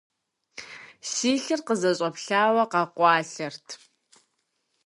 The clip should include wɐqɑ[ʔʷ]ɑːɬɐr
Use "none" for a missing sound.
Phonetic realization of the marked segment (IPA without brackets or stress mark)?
qʷ